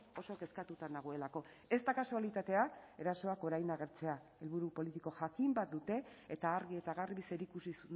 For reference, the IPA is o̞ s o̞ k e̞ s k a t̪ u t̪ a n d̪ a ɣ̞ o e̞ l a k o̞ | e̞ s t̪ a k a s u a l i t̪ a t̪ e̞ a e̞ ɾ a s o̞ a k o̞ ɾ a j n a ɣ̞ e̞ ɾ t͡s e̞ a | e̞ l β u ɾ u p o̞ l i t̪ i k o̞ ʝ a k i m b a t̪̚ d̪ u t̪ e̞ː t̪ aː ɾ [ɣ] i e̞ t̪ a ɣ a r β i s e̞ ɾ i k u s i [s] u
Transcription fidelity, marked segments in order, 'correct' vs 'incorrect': correct, correct

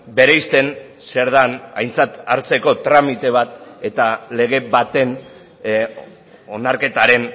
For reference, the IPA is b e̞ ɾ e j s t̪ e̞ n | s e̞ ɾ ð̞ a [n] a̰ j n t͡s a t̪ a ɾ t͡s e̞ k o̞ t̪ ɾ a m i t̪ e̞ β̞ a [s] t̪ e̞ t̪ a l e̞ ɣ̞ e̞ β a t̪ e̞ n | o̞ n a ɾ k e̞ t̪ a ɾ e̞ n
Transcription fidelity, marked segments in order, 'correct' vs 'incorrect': correct, incorrect

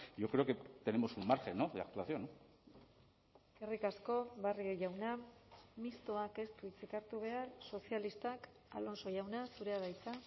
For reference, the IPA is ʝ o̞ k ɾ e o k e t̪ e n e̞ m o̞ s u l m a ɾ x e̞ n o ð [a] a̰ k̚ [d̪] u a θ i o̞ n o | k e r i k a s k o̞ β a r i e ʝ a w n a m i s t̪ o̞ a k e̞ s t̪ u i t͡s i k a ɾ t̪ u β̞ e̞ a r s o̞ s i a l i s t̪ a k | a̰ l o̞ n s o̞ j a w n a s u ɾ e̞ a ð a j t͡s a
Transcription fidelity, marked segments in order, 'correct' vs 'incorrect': incorrect, incorrect

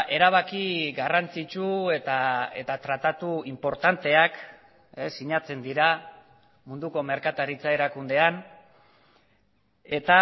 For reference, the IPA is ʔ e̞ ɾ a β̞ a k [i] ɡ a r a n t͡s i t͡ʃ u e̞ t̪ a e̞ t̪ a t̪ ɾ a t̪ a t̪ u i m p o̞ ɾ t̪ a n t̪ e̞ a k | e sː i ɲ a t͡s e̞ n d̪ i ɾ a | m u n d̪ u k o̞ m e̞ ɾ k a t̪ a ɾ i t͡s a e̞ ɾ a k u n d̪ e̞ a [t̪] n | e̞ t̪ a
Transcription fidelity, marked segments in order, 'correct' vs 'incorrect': correct, incorrect

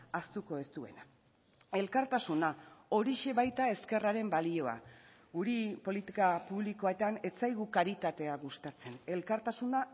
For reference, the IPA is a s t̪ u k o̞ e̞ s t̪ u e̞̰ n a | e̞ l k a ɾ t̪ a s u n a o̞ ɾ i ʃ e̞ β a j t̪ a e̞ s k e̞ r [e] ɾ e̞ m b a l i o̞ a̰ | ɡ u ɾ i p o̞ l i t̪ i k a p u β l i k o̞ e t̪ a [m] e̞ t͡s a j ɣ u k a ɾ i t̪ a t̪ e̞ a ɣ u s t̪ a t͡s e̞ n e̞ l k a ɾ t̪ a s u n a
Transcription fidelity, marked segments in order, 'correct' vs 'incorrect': incorrect, incorrect

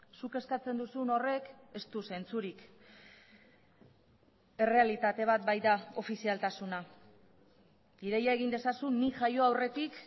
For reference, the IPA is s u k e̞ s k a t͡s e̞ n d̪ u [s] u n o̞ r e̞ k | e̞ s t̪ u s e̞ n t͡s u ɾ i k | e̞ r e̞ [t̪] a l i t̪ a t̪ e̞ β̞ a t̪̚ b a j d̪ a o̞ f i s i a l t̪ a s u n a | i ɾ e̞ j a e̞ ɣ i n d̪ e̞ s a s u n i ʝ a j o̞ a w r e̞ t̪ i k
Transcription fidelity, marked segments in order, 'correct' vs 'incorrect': correct, incorrect

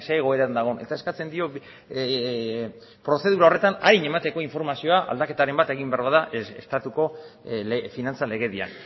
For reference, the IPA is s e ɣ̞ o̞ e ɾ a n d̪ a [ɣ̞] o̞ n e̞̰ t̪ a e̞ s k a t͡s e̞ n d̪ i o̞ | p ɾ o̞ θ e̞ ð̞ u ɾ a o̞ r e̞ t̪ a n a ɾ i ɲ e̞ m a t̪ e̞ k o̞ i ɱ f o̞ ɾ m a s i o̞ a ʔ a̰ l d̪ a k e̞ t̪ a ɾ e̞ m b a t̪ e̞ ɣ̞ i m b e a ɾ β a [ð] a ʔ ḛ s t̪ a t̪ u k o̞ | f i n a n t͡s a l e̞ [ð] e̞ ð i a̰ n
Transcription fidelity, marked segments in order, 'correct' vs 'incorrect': correct, correct, incorrect

